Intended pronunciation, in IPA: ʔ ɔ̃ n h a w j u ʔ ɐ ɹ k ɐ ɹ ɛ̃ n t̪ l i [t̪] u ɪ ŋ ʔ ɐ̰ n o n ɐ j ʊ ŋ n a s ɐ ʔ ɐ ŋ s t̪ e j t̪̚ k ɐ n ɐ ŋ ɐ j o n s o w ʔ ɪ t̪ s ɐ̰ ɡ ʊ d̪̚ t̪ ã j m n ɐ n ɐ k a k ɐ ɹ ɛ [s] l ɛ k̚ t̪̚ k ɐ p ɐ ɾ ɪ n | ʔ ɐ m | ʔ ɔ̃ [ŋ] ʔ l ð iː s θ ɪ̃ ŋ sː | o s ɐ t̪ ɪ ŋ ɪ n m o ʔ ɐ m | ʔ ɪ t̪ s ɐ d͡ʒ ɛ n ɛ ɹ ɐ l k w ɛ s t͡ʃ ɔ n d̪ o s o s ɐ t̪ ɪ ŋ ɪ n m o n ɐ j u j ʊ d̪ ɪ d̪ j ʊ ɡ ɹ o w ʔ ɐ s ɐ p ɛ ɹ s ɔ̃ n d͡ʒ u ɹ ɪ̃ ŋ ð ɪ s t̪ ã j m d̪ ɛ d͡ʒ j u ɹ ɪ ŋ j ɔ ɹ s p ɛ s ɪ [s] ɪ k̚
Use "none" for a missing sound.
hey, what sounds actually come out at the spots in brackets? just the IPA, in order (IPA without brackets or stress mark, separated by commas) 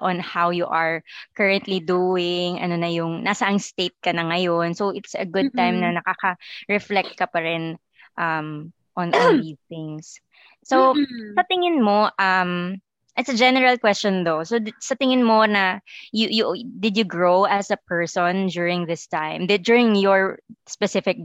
d̪, f, n, f